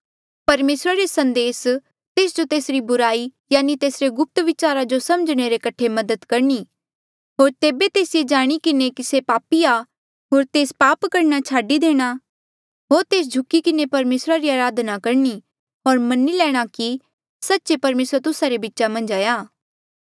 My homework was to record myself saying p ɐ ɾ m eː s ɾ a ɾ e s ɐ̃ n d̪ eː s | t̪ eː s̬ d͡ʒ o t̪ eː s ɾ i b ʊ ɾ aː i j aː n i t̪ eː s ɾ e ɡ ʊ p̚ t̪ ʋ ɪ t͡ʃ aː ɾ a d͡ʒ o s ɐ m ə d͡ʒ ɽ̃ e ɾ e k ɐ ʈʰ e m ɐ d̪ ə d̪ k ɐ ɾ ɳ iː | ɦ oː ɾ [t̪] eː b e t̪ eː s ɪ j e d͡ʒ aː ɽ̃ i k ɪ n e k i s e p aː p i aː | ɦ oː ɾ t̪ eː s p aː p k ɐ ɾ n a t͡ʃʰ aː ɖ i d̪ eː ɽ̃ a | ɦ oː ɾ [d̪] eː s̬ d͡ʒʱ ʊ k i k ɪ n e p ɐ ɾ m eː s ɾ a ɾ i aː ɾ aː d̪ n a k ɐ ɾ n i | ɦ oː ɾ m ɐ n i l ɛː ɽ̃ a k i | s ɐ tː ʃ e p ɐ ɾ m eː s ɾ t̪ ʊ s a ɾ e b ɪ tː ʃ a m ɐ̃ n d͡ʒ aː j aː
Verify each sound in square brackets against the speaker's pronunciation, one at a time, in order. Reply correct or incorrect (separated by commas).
correct, incorrect